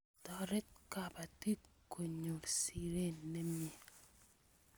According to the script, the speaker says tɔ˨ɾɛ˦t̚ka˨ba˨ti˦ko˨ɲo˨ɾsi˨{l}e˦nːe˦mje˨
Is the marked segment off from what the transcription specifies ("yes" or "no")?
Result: yes